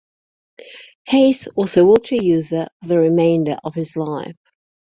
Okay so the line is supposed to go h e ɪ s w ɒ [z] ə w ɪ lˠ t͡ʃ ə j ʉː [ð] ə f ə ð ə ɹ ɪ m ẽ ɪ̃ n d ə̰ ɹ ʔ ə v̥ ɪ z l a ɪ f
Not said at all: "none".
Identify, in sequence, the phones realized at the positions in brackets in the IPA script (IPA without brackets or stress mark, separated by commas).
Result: z, z